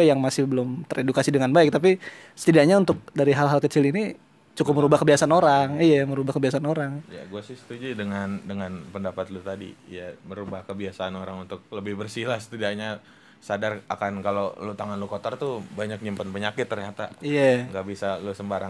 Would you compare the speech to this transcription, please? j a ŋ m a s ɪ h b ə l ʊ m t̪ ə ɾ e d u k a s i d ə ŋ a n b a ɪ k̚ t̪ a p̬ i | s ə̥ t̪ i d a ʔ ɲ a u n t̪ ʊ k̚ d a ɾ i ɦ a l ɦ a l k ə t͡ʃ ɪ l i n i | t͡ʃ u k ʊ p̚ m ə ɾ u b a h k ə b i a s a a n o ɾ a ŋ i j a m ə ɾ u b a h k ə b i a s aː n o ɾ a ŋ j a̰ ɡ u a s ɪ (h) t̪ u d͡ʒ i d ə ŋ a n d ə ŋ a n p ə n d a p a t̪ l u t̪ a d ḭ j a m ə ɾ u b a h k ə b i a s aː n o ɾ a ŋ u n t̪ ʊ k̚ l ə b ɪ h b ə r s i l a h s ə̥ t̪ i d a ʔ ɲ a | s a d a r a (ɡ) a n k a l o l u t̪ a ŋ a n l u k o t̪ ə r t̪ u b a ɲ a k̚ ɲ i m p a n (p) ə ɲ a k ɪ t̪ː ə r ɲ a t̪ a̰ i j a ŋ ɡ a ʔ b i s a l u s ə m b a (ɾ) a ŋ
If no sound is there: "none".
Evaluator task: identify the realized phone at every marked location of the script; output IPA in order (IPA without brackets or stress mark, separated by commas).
s, k, p, ɾ